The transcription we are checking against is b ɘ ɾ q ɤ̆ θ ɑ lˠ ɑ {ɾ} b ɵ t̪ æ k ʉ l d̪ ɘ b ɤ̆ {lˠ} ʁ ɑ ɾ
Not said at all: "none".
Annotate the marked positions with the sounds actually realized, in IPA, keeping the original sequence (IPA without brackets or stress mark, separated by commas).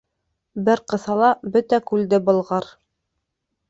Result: none, lˠ